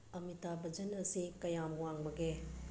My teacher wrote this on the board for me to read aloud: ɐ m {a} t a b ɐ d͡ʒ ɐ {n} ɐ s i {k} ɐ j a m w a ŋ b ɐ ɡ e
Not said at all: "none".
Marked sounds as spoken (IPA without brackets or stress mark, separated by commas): i, n, k